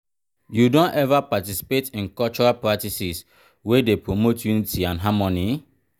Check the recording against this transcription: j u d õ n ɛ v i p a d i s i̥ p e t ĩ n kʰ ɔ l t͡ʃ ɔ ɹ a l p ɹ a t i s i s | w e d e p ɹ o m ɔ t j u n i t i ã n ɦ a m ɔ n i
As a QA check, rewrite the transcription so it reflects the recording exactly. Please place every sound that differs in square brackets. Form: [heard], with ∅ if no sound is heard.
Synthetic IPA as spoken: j u d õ n ɛ v [a] p a [t] i s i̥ p e t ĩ n [k] ɔ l t͡ʃ ɔ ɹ a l p ɹ a t i s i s | w e d e p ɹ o m [o] t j u n i t i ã n ɦ a m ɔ n i